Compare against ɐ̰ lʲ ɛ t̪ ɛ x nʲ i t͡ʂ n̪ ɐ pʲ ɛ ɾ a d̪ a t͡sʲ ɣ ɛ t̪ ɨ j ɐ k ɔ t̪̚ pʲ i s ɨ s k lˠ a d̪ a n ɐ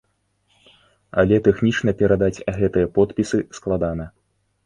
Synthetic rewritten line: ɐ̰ lʲ ɛ t̪ ɛ x nʲ i t͡ʂ n̪ ɐ pʲ ɛ ɾ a d̪ a t͡sʲ ɣ ɛ t̪ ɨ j ɐ p ɔ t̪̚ pʲ i s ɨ s k lˠ a d̪ a n ɐ